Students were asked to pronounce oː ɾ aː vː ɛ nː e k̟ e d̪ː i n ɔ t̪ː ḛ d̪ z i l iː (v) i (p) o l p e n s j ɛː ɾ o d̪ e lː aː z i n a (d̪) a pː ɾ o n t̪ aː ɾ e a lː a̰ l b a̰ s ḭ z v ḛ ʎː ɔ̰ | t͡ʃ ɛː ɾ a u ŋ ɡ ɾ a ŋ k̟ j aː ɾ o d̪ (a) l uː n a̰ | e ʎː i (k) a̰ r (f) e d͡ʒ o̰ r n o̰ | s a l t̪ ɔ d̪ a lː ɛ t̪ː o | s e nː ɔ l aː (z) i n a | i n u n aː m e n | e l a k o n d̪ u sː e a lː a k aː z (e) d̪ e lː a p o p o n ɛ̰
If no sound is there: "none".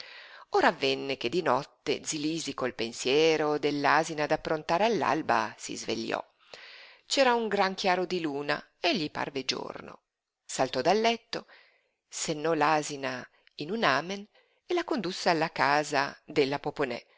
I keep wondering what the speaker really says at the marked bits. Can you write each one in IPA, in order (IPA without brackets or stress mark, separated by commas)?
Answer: z, k, d̪, i, p, v, z, a